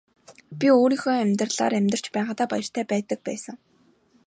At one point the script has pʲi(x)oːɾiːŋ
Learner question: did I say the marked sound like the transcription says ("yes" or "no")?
no